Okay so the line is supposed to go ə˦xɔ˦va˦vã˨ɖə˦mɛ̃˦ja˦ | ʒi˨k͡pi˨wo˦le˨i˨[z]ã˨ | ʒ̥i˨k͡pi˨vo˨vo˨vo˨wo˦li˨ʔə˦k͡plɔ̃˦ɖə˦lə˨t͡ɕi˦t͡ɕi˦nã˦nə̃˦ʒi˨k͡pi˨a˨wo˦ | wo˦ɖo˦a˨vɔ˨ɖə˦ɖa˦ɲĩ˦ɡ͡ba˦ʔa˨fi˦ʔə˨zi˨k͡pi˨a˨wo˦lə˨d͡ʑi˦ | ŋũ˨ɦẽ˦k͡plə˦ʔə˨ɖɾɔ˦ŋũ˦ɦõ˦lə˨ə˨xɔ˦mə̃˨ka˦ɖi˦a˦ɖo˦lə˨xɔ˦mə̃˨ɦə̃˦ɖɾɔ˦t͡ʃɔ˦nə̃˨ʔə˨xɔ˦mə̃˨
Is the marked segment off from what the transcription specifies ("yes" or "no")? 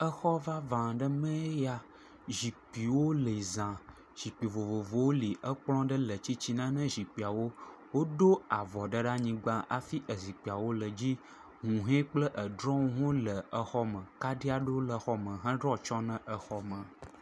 no